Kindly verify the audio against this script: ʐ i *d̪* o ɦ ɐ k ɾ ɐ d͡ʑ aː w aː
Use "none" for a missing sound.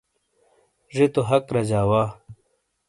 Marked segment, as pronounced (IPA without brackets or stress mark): t̪